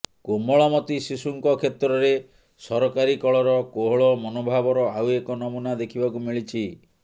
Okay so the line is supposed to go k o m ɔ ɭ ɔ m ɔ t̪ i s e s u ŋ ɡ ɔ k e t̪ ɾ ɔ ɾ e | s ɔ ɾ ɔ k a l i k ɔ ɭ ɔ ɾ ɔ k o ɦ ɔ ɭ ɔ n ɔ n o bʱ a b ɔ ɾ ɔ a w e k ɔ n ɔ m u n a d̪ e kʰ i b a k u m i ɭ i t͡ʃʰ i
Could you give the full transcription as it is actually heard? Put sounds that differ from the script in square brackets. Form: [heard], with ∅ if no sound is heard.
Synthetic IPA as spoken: k o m ɔ ɭ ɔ m ɔ t̪ i s [i] s u ŋ [k] ɔ [kʰ] e t̪ ɾ ɔ ɾ e | s ɔ ɾ ɔ k a [ɾ] i k ɔ ɭ ɔ ɾ ɔ k o ɦ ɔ ɭ ɔ [m] ɔ n o bʱ a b ɔ ɾ ɔ a w e k ɔ n ɔ m u n a d̪ e kʰ i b a k u m i ɭ i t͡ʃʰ i